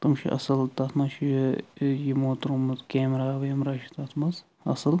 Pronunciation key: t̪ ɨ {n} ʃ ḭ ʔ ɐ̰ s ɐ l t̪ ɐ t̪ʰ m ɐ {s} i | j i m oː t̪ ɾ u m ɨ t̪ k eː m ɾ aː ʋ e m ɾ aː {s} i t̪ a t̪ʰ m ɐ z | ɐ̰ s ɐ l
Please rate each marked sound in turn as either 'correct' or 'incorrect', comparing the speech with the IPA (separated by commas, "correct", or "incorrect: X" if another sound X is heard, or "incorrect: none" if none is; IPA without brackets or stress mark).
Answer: incorrect: m, incorrect: ʃ, incorrect: ʃ